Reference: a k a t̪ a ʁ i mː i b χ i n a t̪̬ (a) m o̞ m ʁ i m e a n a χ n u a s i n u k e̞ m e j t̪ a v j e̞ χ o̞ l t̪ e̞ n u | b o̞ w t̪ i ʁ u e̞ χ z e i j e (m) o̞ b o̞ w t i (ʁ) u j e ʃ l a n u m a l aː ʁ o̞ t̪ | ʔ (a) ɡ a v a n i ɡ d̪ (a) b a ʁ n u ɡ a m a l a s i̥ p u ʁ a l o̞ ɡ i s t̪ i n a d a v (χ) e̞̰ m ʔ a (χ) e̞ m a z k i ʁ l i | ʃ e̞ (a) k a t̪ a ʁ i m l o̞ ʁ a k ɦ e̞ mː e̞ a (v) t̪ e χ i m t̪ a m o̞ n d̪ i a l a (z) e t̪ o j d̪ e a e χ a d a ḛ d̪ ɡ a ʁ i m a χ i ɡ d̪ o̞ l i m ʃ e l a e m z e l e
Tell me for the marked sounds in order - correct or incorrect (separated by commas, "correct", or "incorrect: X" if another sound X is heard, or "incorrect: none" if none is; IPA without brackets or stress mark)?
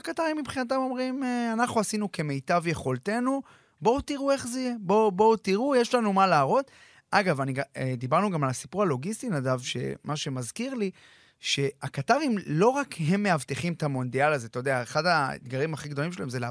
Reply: correct, incorrect: b, correct, correct, incorrect: i, incorrect: ʃ, incorrect: ʃ, correct, correct, correct